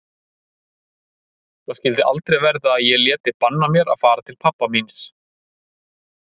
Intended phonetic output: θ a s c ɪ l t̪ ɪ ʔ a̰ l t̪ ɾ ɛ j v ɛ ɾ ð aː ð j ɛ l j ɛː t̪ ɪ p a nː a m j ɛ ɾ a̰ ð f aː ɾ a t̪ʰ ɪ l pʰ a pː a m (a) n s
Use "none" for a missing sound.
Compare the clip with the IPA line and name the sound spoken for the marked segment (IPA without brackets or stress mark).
i